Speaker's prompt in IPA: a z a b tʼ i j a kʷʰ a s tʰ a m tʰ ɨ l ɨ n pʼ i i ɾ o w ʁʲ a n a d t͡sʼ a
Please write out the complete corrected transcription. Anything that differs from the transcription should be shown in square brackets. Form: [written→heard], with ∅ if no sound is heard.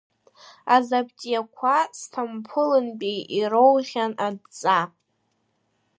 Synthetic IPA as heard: a z a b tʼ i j a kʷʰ a s tʰ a m [tʰ→pʰ] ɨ l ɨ n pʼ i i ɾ o w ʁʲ a n a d t͡sʼ a